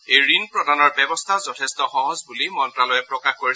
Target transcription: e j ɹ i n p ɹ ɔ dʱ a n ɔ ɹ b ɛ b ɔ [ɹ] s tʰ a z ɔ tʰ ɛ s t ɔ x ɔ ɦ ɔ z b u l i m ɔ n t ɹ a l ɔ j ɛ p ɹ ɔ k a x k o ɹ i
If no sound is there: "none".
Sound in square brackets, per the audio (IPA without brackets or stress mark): none